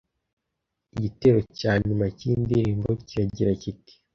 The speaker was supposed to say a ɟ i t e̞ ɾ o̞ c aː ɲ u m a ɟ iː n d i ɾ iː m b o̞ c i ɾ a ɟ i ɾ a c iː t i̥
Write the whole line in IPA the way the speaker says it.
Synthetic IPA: i ɟ i t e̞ ɾ o̞ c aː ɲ u m a c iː n d i ɾ iː m b o̞ c i ɾ a ɟ i ɾ a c i t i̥